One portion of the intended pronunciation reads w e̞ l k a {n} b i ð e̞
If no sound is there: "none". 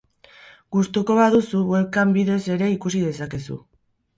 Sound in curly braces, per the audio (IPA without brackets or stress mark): m